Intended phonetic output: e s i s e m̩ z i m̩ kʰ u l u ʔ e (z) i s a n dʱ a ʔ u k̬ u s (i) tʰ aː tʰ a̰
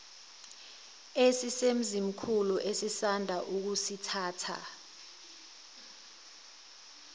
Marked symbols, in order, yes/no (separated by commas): no, yes